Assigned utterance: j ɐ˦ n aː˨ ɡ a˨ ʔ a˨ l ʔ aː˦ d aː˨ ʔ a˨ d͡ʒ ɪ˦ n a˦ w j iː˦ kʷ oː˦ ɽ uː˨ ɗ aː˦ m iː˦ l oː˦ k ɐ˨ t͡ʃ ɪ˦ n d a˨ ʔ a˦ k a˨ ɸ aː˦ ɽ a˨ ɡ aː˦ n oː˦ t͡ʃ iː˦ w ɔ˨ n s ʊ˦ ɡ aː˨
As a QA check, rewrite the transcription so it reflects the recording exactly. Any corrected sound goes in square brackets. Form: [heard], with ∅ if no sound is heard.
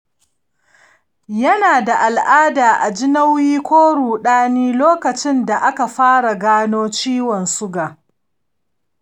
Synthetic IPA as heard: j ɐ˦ n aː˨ [d] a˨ ʔ a˨ l ʔ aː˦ d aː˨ ʔ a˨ d͡ʒ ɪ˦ n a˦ w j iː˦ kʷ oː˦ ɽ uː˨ ɗ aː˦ [n] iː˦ l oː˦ k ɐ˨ t͡ʃ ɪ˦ n d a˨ ʔ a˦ k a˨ ɸ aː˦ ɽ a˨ ɡ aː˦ n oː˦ t͡ʃ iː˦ w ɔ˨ n s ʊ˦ ɡ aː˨